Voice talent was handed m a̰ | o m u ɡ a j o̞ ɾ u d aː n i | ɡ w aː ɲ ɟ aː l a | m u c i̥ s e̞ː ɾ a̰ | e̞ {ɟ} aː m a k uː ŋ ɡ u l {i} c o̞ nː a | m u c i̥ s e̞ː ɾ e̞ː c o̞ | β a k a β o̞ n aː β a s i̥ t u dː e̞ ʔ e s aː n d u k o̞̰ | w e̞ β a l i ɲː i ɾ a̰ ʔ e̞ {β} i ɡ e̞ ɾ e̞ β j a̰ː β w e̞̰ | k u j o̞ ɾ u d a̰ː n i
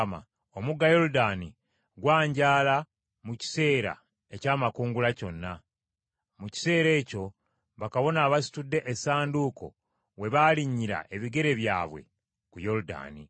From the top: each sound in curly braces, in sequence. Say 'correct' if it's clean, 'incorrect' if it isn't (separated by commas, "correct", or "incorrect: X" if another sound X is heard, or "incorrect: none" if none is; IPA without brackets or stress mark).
incorrect: c, incorrect: a, correct